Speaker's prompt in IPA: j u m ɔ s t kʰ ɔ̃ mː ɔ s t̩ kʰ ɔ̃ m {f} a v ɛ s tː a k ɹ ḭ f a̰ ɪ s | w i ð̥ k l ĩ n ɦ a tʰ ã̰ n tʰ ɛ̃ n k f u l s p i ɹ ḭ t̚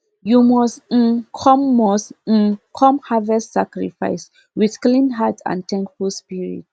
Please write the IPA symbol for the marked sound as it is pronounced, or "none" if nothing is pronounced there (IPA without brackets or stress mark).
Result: h